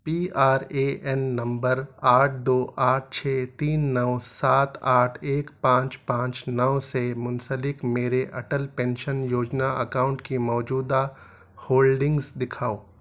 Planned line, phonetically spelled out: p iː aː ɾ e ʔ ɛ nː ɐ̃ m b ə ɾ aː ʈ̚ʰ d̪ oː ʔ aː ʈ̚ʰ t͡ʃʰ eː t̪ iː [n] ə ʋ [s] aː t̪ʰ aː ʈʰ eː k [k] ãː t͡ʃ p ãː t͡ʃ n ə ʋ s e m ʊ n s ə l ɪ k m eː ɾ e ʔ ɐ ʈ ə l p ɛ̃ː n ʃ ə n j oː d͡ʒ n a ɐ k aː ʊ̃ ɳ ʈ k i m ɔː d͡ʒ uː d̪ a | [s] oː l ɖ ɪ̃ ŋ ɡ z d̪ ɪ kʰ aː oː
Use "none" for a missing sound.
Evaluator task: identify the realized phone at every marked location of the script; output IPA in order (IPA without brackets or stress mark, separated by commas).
nː, s, p, h